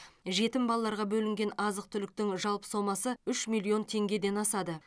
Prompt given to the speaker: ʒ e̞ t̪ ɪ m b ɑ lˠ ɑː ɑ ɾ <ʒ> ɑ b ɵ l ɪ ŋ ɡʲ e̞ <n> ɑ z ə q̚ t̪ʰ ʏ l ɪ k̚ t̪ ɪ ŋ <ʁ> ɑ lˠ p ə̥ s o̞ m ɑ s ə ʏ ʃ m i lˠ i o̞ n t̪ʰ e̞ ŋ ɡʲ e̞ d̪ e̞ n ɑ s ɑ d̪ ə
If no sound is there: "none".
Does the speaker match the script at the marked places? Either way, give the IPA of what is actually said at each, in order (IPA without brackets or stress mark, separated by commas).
ʁ, n, ʒ